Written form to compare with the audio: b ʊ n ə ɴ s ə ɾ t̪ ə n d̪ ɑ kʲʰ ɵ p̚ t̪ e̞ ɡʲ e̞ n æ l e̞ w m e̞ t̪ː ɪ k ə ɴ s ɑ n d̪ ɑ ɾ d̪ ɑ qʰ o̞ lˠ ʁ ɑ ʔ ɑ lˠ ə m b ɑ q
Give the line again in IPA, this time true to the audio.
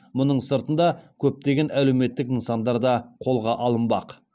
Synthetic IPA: m ʊ n ə ɴ s ə ɾ t̪ ə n d̪ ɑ kʲʰ ɵ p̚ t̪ e̞ ɡʲ e̞ n æ l e̞ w m e̞ t̪ː ɪ k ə n s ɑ n d̪ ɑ ɾ d̪ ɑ qʰ o̞ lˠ ʁ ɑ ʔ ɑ lˠ ə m b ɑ q